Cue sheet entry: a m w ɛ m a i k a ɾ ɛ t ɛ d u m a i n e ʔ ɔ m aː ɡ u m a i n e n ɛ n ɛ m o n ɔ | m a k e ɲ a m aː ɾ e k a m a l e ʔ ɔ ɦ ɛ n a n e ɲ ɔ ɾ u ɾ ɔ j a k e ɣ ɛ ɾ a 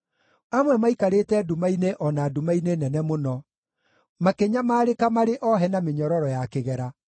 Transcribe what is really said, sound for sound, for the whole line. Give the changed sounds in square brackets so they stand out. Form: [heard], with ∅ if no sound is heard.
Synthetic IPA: a m w ɛ m a i k a ɾ [e] t ɛ d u m a i n e ʔ ɔ [n] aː [d] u m a i n e n ɛ n ɛ m o n ɔ | m a k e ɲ a m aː ɾ e k a m a [ɾ] e ʔ ɔ ɦ ɛ n a [m] e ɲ ɔ ɾ [ɔ] ɾ ɔ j a k e ɣ ɛ ɾ a